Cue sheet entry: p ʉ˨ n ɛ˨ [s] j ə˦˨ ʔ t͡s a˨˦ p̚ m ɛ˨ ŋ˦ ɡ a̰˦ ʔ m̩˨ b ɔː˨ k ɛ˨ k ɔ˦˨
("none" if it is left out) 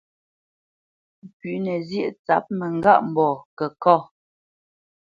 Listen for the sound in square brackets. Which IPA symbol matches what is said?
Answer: z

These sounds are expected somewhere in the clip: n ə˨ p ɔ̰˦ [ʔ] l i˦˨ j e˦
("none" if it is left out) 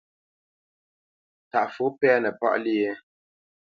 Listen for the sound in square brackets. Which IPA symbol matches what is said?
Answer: ʔ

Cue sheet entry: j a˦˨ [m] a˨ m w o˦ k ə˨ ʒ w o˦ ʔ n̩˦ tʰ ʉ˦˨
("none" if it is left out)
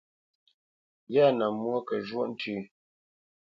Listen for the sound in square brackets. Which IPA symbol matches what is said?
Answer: n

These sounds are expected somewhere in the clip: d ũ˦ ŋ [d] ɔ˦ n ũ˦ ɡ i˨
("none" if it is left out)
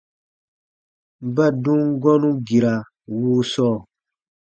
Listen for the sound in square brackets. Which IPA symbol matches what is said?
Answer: ɡ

